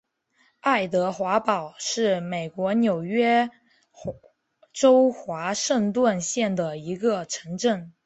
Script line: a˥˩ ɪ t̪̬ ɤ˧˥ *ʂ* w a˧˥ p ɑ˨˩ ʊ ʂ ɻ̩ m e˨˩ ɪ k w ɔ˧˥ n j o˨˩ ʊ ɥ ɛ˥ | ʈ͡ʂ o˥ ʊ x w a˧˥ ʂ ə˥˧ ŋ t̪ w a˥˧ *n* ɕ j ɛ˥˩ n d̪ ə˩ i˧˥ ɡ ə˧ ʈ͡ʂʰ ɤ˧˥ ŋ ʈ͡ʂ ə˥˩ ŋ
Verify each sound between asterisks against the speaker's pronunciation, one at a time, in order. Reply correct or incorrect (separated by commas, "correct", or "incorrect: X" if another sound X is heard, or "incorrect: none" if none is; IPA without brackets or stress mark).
incorrect: x, correct